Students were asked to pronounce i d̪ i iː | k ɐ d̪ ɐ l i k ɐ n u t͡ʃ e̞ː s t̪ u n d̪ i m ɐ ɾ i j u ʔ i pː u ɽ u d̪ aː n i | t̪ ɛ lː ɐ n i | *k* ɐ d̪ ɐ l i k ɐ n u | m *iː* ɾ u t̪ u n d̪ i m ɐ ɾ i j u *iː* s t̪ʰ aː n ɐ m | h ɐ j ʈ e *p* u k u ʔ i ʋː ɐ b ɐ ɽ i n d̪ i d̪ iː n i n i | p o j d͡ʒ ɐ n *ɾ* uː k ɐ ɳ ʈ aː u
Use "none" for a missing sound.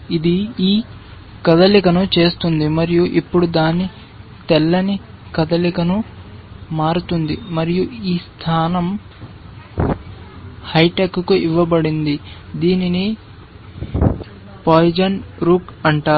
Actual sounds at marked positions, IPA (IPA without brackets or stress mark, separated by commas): k, aː, iː, k, ɾ